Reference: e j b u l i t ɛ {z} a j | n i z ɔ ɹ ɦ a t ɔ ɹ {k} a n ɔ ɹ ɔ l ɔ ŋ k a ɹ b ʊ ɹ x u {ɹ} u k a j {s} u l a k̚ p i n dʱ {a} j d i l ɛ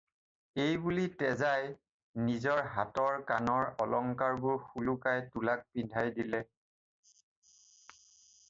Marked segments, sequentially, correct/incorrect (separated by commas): correct, correct, incorrect, incorrect, correct